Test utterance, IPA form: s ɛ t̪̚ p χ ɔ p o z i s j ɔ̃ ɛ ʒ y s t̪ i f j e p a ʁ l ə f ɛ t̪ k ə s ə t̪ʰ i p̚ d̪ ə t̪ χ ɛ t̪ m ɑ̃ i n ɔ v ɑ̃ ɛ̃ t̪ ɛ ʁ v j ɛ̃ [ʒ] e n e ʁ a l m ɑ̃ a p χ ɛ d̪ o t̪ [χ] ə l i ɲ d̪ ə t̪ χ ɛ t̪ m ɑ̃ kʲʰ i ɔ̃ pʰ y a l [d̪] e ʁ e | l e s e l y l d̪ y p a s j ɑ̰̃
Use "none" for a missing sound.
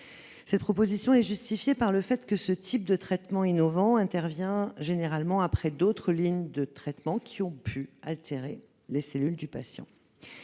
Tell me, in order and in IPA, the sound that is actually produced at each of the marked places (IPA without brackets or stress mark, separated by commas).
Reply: ʒ, χ, t̪